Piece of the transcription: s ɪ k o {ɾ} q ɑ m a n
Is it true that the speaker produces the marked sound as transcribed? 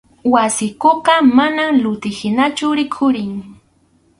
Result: no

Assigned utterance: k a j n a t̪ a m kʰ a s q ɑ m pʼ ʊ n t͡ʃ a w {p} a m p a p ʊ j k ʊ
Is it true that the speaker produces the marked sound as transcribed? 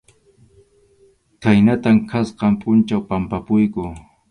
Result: yes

